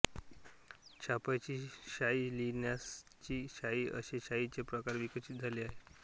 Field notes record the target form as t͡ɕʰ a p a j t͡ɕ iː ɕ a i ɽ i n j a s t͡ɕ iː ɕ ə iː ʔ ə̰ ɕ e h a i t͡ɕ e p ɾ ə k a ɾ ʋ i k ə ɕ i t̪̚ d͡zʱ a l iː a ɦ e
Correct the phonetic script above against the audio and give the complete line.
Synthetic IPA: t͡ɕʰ a p a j t͡ɕ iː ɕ a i l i n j a s t͡ɕ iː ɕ a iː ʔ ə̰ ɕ e ɕ a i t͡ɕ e p ɾ ə k a ɾ ʋ i k ə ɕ i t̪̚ d͡zʱ a l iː a ɦ e

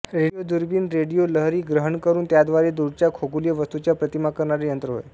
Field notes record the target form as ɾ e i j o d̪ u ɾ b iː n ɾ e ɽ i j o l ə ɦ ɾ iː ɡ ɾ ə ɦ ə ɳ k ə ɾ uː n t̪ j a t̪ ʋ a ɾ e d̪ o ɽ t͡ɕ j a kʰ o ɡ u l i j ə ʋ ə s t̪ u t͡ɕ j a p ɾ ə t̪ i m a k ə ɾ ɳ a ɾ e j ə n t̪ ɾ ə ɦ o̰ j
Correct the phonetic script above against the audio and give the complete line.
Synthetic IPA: ɾ e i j o d̪ u ɾ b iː n ɾ e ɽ i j o l ə ɦ ɾ iː ɡ ɾ ə ɦ ə ɳ k ə ɾ uː n t̪ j a d̪ ʋ a ɾ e d̪ u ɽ t͡ɕ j a kʰ o ɡ u l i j ə ʋ ə s t̪ u t͡ɕ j a p ɾ ə t̪ i m a k ə ɾ ɳ a ɾ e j ə n t̪ ɾ ə ɦ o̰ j

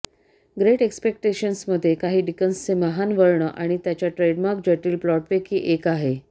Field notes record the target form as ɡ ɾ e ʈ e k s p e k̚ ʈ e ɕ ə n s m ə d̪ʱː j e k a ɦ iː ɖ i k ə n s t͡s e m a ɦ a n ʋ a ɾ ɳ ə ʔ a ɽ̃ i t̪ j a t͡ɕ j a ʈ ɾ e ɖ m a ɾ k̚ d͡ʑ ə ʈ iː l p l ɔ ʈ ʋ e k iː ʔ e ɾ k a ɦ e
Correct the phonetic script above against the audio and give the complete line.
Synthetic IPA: ɡ ɾ e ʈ e k s p e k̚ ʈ e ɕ ə n s m ə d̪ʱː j e k a ɦ iː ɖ i k ə n s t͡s e m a ɦ a n ʋ ə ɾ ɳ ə ʔ a ɽ̃ i t̪ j a t͡ɕ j a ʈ ɾ e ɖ m a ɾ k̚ d͡ʑ ə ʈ iː l p l ɔ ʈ ʋ e k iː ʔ e k a ɦ e

